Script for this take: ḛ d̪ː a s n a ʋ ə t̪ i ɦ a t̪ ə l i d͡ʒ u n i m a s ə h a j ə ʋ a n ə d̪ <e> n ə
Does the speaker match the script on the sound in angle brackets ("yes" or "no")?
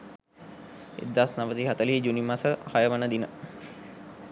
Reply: no